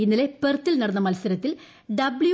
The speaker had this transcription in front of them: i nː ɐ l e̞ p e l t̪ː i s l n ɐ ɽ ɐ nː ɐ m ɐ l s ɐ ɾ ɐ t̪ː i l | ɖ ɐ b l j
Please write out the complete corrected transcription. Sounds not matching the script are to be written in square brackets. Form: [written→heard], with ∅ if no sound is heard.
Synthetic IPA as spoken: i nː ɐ l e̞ p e [l→r] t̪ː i [s→∅] l n ɐ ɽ ɐ nː ɐ m ɐ l s ɐ ɾ ɐ t̪ː i l | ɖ ɐ b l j